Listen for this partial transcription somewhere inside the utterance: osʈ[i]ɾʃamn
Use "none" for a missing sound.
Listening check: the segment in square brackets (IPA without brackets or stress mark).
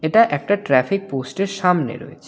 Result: e